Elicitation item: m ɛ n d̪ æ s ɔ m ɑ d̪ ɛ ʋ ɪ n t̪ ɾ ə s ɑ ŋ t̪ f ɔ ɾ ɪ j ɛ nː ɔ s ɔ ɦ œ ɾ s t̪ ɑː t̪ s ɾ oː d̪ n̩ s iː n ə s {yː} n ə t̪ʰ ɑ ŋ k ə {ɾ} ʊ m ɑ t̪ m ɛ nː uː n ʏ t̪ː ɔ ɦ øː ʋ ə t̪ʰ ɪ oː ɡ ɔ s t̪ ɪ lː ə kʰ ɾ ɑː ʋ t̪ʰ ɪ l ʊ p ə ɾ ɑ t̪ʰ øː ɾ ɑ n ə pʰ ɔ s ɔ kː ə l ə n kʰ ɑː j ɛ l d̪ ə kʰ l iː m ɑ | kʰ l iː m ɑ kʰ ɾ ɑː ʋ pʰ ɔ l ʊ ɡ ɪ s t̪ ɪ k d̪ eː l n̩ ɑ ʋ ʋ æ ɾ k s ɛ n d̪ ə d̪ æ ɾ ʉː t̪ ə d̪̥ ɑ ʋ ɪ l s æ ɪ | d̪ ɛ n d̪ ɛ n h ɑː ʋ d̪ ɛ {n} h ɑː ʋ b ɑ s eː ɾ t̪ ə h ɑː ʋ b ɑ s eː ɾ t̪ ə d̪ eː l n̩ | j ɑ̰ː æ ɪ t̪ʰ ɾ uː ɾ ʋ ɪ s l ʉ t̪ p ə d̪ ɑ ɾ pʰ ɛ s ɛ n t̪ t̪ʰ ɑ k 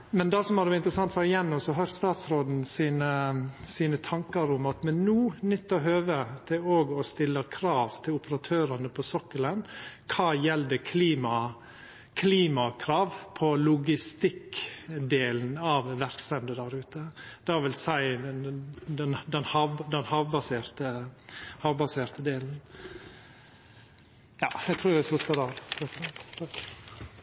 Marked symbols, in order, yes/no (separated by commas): no, yes, yes